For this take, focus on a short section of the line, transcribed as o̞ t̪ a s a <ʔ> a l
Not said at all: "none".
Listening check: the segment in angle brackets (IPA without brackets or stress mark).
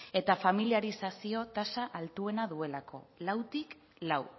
ʔ